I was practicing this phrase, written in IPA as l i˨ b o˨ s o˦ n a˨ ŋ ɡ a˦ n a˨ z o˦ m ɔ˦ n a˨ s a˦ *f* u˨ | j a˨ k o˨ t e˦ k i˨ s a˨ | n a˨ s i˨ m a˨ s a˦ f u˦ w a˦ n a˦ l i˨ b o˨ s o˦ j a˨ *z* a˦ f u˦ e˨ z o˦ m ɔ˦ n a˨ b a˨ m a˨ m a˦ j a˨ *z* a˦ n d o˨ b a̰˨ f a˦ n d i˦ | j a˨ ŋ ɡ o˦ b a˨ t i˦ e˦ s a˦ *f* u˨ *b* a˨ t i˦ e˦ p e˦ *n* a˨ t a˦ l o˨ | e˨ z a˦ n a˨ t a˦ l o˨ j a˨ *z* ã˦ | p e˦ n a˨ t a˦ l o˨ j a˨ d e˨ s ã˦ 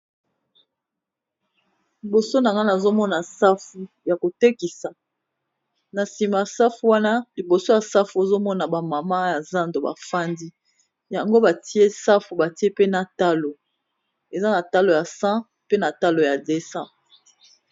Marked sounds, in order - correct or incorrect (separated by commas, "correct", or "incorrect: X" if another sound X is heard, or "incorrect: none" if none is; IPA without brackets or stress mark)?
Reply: correct, incorrect: s, correct, correct, correct, correct, incorrect: s